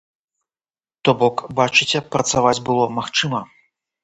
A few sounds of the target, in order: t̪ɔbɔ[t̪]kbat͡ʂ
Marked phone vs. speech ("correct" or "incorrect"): incorrect